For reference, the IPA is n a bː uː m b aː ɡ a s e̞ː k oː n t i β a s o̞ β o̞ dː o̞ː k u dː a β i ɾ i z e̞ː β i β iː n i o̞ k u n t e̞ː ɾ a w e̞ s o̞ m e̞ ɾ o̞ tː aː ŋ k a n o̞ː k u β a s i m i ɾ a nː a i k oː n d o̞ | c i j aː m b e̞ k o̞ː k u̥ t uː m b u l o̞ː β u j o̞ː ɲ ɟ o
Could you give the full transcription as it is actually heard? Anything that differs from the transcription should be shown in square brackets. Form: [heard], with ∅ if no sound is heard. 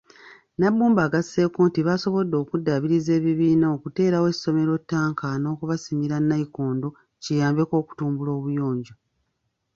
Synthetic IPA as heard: n a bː uː m b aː ɡ a s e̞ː k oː n t i β a s o̞ β o̞ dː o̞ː k u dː a β i ɾ i z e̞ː β i β iː n [a] o̞ k u [∅] t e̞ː ɾ a w e̞ s o̞ m e̞ ɾ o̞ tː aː ŋ k a n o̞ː k u β a s i m i ɾ a nː a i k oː n d o̞ | c i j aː m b e̞ k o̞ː k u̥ t uː m b u l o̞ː β u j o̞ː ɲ ɟ o